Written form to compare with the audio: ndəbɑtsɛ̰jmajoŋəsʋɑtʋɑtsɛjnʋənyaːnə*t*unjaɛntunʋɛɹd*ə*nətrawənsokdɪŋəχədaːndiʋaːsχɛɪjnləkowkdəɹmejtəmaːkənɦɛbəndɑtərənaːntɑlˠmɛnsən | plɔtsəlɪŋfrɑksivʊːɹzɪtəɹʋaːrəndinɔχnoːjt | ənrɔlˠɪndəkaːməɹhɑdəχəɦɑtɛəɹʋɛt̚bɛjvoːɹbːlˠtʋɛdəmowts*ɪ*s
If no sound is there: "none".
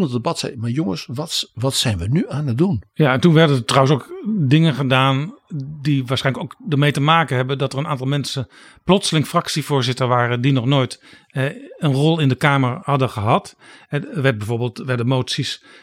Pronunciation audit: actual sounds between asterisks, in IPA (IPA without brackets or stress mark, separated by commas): d, ə, i